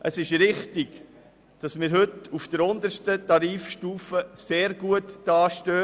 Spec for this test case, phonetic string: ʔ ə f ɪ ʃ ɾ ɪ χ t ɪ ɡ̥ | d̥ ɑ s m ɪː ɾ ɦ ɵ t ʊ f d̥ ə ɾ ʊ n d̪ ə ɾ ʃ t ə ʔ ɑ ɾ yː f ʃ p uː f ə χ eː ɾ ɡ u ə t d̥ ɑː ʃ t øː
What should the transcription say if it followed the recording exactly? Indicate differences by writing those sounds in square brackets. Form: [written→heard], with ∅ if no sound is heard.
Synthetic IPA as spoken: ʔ ə [f→s] ɪ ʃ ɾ ɪ χ t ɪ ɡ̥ | d̥ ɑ s m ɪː ɾ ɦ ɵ t [ʊ→u] f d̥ ə ɾ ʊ n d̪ ə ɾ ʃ t ə [ʔ→t] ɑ ɾ [yː→iː] f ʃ [p→t] uː f ə [χ→s] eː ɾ ɡ u ə t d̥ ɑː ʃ t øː